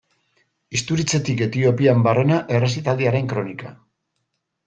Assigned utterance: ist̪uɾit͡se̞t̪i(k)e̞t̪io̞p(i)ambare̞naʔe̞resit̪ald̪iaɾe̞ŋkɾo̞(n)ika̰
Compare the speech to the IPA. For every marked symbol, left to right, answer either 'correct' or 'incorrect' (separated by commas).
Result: correct, correct, correct